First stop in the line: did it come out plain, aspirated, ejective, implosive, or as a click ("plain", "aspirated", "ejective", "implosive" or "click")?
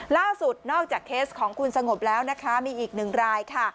plain